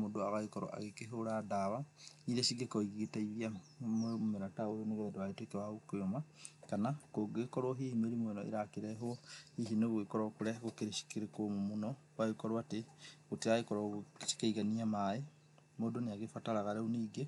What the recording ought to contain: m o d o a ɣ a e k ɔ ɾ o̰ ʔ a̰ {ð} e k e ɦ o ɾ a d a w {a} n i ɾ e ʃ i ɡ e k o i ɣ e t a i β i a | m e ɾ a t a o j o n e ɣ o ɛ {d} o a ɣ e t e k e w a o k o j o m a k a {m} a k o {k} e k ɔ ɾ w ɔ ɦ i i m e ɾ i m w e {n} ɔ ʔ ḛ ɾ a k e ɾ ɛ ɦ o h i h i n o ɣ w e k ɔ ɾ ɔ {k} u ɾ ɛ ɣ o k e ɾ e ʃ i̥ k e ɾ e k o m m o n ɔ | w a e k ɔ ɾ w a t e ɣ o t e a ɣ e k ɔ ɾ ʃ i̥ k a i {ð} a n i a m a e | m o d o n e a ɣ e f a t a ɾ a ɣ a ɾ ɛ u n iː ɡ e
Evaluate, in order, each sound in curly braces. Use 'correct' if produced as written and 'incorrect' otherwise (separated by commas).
incorrect, correct, correct, incorrect, incorrect, correct, correct, incorrect